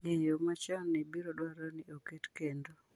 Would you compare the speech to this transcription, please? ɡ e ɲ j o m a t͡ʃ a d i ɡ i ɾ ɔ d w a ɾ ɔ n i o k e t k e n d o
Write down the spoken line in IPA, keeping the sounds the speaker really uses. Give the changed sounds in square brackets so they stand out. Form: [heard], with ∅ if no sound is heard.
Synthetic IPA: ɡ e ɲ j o m a t͡ʃ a [n] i [b] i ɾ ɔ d w a ɾ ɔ n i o k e t k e n d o